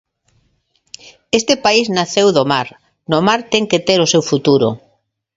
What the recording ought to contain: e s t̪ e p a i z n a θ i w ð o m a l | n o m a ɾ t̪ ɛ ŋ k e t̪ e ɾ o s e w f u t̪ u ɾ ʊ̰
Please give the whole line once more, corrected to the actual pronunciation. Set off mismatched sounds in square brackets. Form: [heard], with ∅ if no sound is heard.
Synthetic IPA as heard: e s t̪ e p a i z n a θ [e] w ð o m a [ɾ] | n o m a ɾ t̪ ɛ ŋ k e t̪ e ɾ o s e w f u t̪ u ɾ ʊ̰